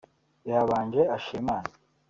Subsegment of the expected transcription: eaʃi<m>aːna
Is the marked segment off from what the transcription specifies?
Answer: no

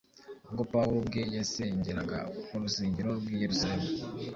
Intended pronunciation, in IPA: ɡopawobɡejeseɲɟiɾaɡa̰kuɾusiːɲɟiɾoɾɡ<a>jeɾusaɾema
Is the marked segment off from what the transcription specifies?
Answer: yes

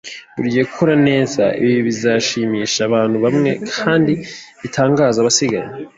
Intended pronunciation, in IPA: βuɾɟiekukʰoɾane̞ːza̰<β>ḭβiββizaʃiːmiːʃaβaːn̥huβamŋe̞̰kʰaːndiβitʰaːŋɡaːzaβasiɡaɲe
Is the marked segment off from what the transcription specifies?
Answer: yes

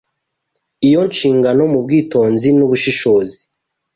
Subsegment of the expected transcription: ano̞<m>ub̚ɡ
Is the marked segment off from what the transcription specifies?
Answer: no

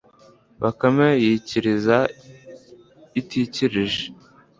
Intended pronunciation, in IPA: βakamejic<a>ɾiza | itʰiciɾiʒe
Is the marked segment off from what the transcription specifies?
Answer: yes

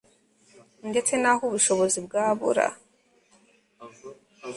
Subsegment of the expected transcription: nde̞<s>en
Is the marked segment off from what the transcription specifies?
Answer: yes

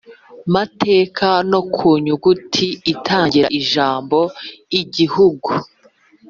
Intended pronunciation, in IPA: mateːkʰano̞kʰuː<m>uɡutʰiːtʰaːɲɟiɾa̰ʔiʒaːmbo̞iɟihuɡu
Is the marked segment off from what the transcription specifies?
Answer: yes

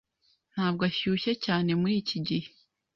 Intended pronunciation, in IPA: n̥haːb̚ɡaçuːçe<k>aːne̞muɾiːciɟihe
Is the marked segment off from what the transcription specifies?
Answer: yes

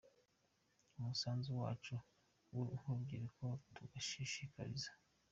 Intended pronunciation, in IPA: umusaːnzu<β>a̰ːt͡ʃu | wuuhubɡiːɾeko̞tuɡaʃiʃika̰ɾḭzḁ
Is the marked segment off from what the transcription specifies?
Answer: yes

